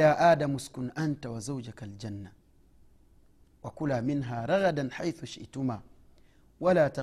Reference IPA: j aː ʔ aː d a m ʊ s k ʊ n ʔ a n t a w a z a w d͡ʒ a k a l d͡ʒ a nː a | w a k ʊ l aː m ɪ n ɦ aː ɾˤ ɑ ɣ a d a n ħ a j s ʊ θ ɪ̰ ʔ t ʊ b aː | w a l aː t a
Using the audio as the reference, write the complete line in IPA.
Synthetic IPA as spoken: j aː ʔ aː d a m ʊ s k ʊ n ʔ a n t a w a z a w d͡ʒ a k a l d͡ʒ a nː a | w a k ʊ l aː m ɪ n ɦ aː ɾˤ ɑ ɣ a d a n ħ a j θ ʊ ʃ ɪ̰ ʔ t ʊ m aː | w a l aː t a